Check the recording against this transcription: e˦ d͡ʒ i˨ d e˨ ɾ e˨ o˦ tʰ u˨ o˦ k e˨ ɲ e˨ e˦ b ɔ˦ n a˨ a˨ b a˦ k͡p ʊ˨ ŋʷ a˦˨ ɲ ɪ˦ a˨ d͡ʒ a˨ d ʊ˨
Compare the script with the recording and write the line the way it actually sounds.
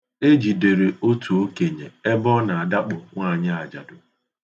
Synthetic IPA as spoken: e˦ d͡ʒ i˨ d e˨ ɾ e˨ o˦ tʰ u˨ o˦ k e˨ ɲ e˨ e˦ b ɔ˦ n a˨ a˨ d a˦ k͡p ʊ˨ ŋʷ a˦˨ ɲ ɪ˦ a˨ d͡ʒ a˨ d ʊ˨